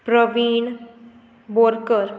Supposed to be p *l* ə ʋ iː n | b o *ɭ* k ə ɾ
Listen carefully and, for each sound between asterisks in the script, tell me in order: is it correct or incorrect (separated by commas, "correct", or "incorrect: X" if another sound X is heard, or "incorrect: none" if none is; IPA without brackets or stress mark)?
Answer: incorrect: ɾ, incorrect: ɾ